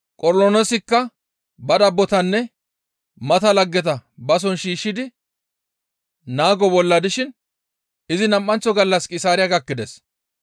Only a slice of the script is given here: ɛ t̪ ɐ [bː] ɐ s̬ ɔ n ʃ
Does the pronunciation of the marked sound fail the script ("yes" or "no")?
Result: yes